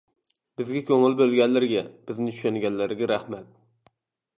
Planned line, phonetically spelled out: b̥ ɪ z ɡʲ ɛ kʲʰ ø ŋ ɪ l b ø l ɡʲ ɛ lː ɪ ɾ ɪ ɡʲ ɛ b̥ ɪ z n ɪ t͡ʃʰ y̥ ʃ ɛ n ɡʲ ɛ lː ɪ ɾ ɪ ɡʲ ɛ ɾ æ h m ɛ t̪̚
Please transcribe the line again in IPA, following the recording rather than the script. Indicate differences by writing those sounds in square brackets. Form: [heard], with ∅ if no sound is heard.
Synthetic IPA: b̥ ɪ z ɡʲ ɛ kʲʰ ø ŋ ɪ l b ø l ɡʲ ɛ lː ɪ ɾ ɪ ɡʲ ɛ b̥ ɪ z n ɪ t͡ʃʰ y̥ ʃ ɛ n ɡʲ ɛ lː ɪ ɾ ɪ ɡʲ ɛ ɾ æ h m ɛ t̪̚

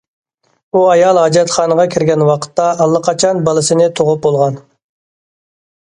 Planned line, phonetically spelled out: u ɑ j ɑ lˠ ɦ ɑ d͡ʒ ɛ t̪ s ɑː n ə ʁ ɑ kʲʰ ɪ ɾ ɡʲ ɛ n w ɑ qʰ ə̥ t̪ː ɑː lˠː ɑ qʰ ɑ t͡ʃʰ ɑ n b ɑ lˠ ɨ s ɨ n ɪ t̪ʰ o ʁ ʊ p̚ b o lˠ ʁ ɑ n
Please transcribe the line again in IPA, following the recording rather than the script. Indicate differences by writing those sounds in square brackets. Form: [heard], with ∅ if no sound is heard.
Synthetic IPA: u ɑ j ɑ lˠ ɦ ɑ d͡ʒ ɛ t̪ [χ] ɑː n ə ʁ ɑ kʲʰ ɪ ɾ ɡʲ ɛ n w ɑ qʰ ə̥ t̪ː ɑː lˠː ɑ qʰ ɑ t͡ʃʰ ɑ n b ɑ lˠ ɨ s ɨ n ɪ t̪ʰ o ʁ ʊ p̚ b o lˠ ʁ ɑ n

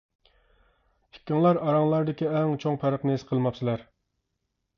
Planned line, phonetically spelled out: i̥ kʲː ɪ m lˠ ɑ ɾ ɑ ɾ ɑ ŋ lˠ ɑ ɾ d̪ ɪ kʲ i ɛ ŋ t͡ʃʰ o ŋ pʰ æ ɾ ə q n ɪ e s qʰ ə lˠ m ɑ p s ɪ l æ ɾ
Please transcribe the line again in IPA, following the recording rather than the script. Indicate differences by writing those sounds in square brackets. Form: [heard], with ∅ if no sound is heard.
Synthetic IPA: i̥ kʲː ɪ [ŋ] lˠ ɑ ɾ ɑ ɾ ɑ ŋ lˠ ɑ ɾ d̪ ɪ kʲ i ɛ ŋ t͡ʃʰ o ŋ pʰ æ ɾ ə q n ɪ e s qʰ ə lˠ m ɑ p s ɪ l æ ɾ

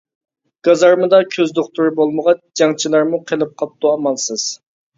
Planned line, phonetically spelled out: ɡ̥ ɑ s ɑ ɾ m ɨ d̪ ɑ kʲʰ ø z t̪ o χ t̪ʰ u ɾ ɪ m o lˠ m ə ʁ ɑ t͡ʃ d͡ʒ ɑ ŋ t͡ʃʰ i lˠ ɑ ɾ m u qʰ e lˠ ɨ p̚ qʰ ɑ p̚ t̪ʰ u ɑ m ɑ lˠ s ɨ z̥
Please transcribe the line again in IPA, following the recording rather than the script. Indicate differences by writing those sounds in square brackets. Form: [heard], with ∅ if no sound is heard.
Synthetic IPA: ɡ̥ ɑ [z] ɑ ɾ m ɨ d̪ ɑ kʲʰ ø z [d̪] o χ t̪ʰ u ɾ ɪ [b] o lˠ m ə ʁ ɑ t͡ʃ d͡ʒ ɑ ŋ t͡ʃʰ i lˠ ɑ ɾ m u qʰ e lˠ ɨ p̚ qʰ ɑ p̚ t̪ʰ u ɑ m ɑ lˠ s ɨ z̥

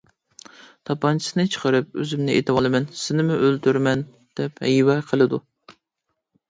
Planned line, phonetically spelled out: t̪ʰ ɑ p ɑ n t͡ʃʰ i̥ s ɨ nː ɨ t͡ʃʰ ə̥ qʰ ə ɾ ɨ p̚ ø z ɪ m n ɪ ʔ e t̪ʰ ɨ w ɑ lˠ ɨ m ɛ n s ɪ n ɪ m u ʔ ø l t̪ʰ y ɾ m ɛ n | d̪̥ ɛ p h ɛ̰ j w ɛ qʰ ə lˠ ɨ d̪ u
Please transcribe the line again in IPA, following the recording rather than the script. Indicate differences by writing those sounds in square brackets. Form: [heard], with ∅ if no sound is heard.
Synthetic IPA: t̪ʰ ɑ p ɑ n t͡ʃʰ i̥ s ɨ [n] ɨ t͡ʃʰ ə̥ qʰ ə ɾ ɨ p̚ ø z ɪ m n ɪ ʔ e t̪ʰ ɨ w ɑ lˠ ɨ m ɛ n s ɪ n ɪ m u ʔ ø l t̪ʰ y ɾ m ɛ n | d̪̥ ɛ p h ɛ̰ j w ɛ qʰ ə lˠ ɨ d̪ u

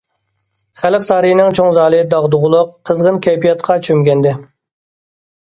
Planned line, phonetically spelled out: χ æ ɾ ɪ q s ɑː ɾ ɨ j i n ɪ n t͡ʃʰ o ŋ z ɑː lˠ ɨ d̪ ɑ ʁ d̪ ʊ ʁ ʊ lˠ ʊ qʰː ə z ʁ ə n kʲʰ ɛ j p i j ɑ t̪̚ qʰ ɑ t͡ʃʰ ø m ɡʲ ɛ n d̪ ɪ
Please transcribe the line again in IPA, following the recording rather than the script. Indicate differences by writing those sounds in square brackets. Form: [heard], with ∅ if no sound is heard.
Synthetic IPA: χ æ [l] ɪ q s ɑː ɾ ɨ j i n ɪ [ŋ] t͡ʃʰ o ŋ z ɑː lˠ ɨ d̪ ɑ ʁ d̪ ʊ ʁ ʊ lˠ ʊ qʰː ə z ʁ ə n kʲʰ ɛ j p i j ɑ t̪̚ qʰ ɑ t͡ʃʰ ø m ɡʲ ɛ n d̪ ɪ

